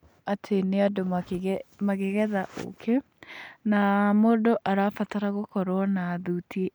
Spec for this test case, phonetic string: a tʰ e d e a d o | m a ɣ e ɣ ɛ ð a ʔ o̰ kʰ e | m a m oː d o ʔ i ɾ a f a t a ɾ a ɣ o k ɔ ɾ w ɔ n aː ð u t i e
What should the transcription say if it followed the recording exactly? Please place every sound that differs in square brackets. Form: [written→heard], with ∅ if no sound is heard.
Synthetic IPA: a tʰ e [d→n] e a d o | m a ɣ e ɣ ɛ ð a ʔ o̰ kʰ e | [m→n] a m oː d o ʔ [i→a] ɾ a f a t a ɾ a ɣ o k ɔ ɾ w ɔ n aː ð u t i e